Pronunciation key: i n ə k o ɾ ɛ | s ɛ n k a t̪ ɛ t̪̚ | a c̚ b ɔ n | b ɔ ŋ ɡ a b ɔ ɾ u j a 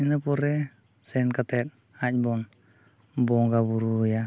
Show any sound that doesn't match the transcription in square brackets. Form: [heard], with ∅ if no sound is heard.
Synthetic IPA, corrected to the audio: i n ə [p] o ɾ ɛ | s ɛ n k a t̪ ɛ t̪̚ | a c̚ b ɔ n | b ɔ ŋ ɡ a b [u] ɾ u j a